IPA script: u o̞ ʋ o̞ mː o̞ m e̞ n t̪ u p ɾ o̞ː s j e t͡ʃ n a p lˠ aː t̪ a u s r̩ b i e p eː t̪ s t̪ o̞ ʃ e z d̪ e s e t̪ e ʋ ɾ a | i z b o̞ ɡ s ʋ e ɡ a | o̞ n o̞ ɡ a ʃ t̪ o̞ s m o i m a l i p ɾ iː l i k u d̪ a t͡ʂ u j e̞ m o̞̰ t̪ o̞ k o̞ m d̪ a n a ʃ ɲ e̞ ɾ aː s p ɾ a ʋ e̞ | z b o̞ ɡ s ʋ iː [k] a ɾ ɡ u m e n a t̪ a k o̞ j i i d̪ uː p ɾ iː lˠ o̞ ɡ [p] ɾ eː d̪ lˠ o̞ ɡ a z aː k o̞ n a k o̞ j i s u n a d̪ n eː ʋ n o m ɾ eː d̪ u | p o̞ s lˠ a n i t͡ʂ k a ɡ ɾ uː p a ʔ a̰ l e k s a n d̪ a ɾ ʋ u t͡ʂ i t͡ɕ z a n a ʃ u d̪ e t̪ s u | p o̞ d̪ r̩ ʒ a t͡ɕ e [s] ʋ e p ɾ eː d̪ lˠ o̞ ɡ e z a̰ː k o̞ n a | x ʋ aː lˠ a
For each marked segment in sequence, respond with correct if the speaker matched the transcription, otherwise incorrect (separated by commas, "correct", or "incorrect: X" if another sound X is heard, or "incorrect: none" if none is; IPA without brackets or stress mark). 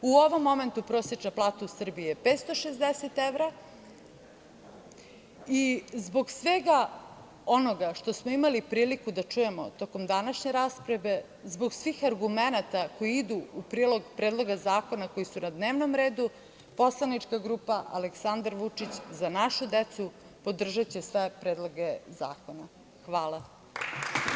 incorrect: x, correct, correct